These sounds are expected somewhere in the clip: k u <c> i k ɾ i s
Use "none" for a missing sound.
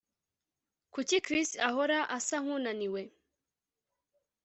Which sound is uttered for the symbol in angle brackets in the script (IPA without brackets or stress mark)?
c